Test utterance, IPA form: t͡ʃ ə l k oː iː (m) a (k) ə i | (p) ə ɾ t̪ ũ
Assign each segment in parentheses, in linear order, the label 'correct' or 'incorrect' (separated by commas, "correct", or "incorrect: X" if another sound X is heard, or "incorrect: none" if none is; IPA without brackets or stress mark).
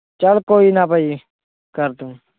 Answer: incorrect: n, incorrect: p, incorrect: k